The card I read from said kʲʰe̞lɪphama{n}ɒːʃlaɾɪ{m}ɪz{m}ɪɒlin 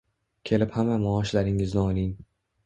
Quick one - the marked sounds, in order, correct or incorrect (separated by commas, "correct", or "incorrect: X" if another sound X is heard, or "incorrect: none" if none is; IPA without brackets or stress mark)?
incorrect: m, incorrect: ŋ, incorrect: n